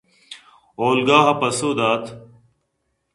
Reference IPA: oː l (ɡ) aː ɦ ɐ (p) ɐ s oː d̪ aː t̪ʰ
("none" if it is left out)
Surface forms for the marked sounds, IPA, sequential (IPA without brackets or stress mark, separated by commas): ɡ, p